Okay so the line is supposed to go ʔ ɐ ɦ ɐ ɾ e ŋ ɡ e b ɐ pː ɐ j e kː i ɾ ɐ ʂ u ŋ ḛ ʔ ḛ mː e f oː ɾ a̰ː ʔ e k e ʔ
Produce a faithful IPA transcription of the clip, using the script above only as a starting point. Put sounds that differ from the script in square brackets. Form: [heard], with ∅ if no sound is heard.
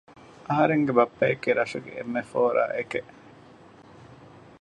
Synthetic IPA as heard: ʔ ɐ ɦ ɐ ɾ e ŋ ɡ e b ɐ pː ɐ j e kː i ɾ ɐ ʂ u [ɡ] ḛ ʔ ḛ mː e f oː ɾ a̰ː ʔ e k e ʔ